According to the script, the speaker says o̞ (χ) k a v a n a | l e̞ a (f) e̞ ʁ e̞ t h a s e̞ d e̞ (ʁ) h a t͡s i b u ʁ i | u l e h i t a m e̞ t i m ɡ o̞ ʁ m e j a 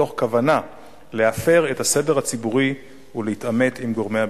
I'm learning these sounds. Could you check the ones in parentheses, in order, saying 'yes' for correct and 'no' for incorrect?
yes, yes, yes

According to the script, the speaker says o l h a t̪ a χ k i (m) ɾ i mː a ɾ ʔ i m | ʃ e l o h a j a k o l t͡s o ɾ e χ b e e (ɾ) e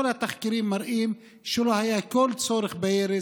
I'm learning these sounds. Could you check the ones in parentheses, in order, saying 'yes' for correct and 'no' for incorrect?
no, yes

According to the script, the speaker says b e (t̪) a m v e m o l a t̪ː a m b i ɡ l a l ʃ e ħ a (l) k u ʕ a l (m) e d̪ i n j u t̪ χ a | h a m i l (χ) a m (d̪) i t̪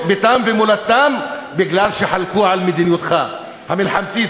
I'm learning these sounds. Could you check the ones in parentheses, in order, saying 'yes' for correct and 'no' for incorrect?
yes, yes, yes, no, no

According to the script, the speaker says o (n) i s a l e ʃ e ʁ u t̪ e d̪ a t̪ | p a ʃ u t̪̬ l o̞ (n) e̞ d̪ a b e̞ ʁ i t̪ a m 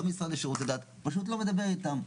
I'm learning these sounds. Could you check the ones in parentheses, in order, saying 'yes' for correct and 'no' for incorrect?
no, no

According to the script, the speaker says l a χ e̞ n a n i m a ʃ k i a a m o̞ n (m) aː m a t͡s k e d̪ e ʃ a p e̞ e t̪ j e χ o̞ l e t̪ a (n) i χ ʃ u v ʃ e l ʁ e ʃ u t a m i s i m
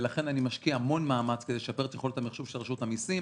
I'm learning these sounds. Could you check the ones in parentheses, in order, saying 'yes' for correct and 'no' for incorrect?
yes, no

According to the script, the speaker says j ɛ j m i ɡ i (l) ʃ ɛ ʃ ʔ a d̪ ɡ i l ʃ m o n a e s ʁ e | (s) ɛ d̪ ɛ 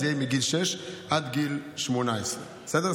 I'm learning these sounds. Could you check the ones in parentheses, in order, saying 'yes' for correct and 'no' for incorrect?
yes, yes

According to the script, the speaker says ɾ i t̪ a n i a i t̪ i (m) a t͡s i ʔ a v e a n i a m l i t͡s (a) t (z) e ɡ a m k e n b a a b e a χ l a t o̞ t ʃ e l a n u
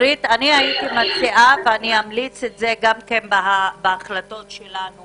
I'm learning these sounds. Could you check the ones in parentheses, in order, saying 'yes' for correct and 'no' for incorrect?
yes, no, yes

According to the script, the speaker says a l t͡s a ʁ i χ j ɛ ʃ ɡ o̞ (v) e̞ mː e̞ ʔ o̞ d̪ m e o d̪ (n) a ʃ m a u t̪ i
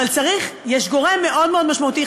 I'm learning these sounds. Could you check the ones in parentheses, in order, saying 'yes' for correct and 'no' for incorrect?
no, no

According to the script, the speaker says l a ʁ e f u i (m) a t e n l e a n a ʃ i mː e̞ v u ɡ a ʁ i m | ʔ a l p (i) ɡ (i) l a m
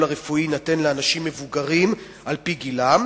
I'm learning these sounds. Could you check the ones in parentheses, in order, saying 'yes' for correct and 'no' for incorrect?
no, yes, yes

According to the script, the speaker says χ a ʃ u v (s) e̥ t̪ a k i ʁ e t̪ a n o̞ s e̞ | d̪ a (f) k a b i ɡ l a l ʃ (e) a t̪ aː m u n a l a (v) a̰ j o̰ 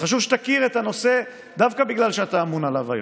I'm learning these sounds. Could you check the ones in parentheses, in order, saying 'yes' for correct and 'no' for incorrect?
no, no, yes, yes

